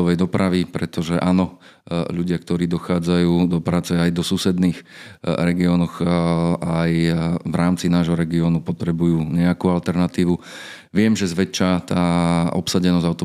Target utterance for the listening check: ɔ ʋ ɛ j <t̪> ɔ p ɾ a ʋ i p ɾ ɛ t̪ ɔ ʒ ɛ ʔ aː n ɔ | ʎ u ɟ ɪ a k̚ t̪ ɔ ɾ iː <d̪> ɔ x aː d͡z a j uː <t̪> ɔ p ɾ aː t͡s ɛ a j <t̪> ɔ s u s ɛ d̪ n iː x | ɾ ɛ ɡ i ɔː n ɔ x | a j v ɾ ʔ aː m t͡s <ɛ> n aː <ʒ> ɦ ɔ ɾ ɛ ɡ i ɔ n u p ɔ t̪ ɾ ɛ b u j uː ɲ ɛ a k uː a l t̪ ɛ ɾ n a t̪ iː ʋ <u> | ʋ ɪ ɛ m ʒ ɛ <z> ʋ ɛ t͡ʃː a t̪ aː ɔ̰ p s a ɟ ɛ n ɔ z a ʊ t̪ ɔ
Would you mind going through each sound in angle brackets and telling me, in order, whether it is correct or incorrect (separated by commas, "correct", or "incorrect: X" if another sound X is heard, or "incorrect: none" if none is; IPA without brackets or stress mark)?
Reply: incorrect: d̪, correct, incorrect: d̪, incorrect: d̪, incorrect: i, correct, correct, correct